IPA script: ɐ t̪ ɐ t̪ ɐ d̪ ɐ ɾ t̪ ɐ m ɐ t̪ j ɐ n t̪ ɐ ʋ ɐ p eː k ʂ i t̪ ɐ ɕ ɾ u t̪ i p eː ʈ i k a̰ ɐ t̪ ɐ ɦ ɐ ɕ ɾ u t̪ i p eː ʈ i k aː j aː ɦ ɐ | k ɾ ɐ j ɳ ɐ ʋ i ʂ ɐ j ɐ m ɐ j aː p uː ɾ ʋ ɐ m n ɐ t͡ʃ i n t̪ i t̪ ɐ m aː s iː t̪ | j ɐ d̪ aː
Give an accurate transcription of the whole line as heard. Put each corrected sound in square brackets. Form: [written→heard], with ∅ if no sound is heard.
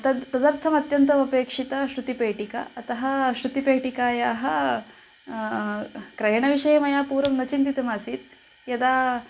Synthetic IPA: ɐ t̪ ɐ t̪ ɐ d̪ ɐ ɾ [t̪→t̪ʰ] ɐ m ɐ t̪ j ɐ n t̪ ɐ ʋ ɐ p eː k ʂ i t̪ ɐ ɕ ɾ u t̪ i p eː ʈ i k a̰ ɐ t̪ ɐ ɦ ɐ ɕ ɾ u t̪ i p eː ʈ i k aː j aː ɦ ɐ | k ɾ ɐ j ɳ ɐ ʋ i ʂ ɐ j ɐ m ɐ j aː p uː ɾ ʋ ɐ m n ɐ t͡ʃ i n t̪ i t̪ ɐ m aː s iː t̪ | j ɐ d̪ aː